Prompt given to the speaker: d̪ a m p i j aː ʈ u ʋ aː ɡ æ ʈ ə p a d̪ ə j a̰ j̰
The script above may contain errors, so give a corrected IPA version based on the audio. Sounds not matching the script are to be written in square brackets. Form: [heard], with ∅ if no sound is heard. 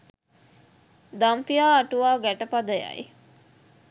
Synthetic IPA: d̪ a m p i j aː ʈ u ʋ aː ɡ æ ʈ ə p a d̪ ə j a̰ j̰